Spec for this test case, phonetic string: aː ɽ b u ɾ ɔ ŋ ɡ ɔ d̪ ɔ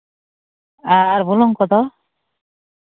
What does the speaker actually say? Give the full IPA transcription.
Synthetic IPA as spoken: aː ɾ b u l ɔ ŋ k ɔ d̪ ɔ